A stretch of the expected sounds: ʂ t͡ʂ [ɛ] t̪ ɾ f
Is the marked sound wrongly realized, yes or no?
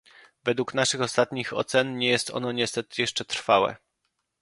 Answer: no